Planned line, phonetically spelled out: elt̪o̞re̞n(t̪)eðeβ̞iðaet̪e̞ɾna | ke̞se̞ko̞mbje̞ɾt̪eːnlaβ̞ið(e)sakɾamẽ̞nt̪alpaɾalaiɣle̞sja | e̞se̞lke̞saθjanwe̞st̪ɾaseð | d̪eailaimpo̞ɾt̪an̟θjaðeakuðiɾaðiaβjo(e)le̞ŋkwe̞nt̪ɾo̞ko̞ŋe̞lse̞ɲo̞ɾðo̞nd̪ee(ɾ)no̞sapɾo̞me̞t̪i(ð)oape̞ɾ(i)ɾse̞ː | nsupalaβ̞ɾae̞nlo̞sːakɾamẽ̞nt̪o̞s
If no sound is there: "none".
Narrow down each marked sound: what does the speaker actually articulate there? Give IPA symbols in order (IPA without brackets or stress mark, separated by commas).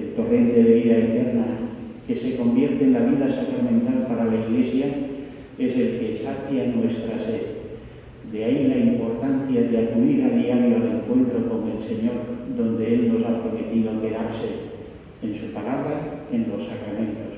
t̪, a, a, l, ð, a